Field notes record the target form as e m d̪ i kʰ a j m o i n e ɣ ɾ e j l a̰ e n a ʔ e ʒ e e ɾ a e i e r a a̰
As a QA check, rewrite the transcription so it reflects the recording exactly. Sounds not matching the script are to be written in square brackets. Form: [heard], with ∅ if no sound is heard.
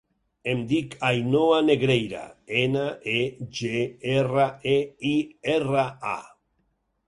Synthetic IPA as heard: e m d̪ i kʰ a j [n] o [a] n e ɣ ɾ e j [ɾ] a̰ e n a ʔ e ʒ e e [r] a e i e r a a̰